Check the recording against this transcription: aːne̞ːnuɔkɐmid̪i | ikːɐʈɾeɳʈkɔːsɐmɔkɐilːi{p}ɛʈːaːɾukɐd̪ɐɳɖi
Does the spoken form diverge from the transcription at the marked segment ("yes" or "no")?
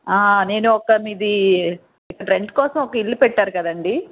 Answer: no